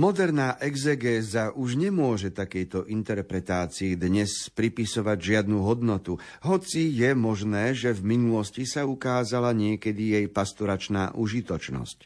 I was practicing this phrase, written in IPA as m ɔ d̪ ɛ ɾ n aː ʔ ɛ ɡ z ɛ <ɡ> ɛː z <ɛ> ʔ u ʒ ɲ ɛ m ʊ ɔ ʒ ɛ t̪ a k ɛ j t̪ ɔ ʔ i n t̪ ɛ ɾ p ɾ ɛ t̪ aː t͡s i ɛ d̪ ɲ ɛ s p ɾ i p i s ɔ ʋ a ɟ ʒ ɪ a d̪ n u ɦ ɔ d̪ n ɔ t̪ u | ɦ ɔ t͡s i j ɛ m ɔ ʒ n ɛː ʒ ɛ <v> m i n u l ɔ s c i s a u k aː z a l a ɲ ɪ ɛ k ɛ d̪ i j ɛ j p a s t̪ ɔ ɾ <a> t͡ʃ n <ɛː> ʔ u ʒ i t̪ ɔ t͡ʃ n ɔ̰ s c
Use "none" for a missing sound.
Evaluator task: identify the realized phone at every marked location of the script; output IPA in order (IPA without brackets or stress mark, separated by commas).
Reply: ɡ, a, v, a, aː